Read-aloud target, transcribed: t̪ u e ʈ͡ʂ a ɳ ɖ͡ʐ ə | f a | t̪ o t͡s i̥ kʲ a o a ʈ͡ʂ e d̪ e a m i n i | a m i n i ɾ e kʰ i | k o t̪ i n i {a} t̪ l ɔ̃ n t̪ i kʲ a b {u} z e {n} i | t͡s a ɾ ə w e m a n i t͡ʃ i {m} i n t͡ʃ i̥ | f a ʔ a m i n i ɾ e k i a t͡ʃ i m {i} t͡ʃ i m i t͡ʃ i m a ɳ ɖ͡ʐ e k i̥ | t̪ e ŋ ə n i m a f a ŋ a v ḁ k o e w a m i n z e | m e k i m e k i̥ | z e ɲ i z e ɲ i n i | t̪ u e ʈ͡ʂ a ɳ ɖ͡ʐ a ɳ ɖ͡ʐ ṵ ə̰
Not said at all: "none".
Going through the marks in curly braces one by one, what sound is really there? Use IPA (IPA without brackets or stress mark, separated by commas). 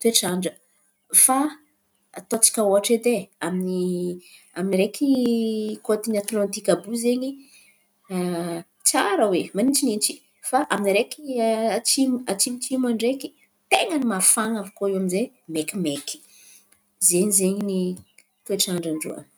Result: a, u, ɲ, n, a